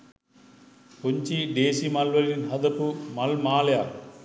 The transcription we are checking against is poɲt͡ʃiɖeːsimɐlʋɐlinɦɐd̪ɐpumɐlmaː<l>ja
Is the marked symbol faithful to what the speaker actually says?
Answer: yes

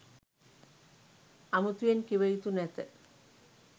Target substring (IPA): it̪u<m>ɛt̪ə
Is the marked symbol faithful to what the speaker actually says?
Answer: no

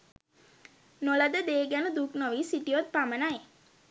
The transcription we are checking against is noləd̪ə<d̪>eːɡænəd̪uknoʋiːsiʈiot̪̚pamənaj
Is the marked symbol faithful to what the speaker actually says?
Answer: yes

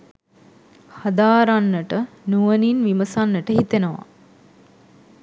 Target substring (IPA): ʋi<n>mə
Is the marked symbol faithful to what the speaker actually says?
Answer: no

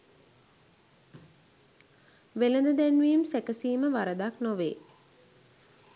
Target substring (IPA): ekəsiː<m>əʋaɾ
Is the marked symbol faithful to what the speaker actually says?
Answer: yes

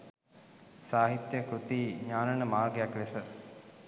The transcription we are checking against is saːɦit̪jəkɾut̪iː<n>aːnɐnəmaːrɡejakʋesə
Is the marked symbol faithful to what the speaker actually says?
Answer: no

